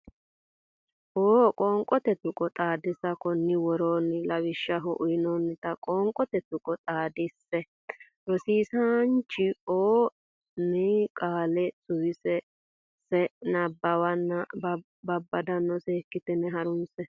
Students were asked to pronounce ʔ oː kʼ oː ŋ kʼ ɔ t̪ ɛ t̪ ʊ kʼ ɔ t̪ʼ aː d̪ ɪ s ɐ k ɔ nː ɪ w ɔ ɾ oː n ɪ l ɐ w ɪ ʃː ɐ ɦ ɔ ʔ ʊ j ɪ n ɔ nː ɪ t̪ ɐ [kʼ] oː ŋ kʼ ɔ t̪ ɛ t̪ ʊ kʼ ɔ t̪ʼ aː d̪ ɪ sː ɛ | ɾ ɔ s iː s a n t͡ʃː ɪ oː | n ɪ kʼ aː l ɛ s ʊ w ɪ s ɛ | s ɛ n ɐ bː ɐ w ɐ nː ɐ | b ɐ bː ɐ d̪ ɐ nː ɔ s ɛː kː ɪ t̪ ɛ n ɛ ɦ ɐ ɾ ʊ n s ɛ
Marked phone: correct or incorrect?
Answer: correct